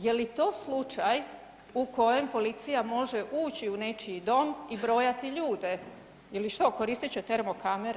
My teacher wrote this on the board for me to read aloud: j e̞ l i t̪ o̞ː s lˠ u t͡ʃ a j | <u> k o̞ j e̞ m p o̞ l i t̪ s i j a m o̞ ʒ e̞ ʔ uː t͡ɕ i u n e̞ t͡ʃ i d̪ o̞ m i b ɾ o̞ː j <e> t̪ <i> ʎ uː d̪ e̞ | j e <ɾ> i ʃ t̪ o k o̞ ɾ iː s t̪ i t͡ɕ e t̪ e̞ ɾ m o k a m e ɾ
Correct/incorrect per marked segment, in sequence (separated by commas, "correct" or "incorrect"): correct, incorrect, correct, incorrect